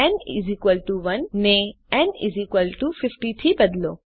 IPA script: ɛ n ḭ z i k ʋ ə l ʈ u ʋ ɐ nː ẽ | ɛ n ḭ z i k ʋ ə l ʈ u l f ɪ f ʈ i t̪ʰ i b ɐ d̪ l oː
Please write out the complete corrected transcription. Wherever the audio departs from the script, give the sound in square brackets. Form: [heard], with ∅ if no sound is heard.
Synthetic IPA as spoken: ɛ n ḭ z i k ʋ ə l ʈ u ʋ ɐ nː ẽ | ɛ n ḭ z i k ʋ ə l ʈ u [∅] f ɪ f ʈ i t̪ʰ i b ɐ d̪ l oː